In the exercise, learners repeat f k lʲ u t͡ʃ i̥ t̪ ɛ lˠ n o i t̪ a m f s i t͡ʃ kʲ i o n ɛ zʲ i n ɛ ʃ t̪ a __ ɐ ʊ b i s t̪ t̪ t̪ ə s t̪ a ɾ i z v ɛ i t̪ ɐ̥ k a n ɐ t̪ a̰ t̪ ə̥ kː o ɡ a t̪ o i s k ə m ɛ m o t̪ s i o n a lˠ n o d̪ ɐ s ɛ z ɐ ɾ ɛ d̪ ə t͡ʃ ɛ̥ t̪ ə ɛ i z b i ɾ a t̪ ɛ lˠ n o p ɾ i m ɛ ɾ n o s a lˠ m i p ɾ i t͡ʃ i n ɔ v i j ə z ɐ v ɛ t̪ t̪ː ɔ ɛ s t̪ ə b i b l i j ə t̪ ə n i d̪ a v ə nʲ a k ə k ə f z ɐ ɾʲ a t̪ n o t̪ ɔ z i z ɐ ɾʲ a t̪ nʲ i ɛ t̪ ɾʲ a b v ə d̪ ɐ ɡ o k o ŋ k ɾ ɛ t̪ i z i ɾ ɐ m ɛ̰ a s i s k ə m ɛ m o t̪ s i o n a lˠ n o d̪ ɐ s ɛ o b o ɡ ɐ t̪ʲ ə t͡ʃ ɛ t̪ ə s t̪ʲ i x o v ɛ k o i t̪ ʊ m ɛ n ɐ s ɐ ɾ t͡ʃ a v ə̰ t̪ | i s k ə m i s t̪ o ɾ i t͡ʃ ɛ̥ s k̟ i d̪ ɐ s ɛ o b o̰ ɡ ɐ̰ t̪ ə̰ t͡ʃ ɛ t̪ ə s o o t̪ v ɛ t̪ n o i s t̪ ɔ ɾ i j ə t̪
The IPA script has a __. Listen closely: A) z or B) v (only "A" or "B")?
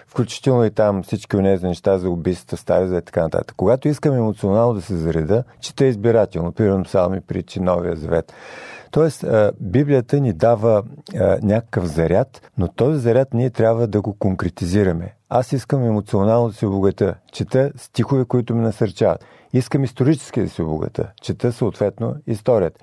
A